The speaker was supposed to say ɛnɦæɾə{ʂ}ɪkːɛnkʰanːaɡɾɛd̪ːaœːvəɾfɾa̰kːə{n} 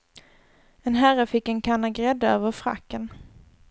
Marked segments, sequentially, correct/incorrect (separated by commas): incorrect, correct